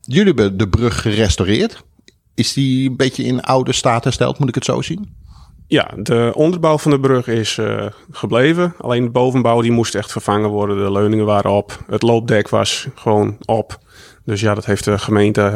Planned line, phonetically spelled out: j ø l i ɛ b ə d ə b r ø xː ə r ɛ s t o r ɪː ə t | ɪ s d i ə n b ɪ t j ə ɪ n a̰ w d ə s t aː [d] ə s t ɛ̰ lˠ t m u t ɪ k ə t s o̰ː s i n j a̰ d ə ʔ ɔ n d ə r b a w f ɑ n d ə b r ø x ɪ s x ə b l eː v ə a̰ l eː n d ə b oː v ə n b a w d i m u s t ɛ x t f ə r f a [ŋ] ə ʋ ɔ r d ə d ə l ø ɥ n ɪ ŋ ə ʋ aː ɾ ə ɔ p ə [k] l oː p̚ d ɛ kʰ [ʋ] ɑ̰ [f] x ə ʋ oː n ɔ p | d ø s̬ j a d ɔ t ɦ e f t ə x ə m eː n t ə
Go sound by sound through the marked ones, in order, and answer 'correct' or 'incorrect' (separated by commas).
incorrect, correct, incorrect, correct, incorrect